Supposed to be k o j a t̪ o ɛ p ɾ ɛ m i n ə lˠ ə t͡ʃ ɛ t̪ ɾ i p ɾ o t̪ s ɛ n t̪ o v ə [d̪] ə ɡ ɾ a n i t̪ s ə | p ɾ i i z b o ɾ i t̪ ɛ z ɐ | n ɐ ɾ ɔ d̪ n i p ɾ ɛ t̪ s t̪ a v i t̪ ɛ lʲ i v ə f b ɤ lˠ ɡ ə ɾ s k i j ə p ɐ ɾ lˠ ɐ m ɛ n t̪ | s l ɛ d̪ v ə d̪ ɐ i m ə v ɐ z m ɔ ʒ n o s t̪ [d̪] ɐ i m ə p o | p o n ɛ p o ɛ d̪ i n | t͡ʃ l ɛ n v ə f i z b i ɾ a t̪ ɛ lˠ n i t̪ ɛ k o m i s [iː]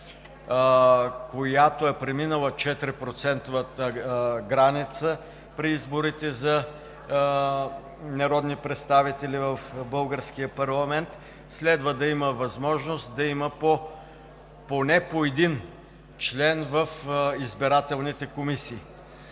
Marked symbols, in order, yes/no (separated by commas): no, yes, yes